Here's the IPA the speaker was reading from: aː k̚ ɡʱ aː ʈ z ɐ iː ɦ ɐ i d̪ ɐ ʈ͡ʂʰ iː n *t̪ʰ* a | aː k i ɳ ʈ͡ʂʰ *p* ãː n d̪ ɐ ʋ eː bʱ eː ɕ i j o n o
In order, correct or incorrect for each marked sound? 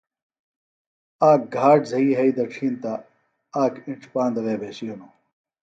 incorrect: t̪, correct

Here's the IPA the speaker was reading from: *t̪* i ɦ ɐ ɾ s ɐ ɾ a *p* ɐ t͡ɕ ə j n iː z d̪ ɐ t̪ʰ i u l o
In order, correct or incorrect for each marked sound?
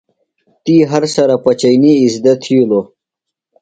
correct, correct

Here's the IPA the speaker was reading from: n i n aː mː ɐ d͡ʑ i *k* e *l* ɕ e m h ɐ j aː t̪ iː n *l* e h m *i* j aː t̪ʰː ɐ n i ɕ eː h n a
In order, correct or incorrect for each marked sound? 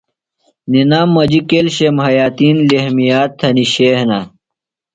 correct, correct, correct, correct

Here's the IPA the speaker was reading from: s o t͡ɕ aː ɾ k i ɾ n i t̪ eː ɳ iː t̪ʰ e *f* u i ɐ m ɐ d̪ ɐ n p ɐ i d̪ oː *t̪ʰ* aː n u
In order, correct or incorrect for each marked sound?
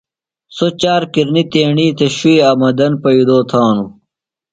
incorrect: ɕ, correct

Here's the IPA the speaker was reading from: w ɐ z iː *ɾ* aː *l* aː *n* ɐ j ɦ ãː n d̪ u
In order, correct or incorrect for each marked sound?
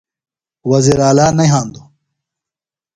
correct, correct, correct

